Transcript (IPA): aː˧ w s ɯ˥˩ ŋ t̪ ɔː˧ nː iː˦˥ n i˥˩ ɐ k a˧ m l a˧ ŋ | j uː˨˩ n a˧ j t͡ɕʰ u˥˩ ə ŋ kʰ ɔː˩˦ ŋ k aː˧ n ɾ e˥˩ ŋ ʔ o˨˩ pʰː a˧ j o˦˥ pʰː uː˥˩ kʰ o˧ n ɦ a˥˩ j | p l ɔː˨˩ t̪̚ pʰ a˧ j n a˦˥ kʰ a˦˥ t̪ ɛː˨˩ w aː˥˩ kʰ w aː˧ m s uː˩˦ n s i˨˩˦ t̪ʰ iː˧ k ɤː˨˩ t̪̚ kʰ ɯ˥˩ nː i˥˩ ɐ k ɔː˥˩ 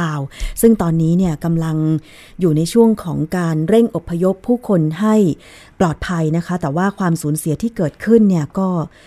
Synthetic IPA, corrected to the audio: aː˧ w s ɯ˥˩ ŋ t̪ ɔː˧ nː iː˦˥ n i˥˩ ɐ k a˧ m l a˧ ŋ | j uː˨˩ n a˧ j t͡ɕʰ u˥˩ ə ŋ kʰ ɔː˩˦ ŋ k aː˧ n ɾ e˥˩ ŋ ʔ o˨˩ pʰː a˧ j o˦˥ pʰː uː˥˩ kʰ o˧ n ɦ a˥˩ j | p l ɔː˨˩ t̪̚ pʰ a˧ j n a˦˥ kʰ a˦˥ t̪ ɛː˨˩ w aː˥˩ kʰ w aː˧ m s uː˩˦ n s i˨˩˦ t̪ʰ iː˥˩ k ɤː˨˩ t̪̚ kʰ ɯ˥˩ nː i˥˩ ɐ k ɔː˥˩